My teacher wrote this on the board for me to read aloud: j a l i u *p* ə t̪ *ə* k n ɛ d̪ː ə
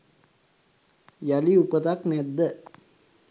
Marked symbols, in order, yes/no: yes, no

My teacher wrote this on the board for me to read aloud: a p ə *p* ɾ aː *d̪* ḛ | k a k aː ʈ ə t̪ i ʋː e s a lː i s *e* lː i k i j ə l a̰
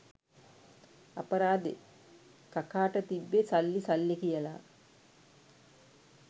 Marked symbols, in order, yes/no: no, yes, no

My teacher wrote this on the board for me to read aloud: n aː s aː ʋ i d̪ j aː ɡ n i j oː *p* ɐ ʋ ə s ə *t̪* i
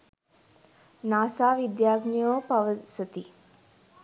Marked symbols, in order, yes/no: yes, yes

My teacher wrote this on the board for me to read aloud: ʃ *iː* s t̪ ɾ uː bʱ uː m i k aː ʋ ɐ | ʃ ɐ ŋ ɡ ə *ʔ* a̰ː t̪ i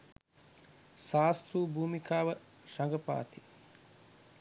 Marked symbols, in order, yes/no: no, no

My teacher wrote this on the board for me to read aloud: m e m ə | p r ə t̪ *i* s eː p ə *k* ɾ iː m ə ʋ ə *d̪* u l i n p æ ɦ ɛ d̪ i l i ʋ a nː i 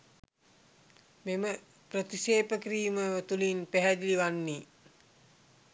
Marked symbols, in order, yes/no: yes, yes, no

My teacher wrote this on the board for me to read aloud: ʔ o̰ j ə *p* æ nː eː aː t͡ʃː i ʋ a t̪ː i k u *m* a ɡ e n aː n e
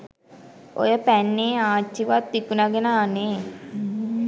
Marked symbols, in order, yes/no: yes, no

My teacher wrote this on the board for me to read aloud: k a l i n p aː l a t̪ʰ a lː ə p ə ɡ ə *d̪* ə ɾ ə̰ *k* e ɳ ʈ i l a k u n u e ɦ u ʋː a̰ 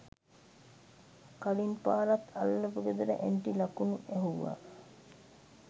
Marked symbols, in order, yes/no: yes, no

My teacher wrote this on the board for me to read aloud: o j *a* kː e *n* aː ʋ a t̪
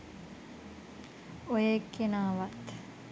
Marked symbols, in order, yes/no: no, yes

